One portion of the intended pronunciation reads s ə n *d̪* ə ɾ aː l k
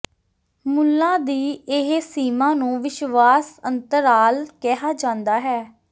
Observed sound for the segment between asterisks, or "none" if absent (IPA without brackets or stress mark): t̪